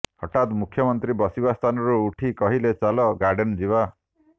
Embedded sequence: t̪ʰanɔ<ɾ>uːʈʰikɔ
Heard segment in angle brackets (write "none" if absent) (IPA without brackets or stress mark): ɾ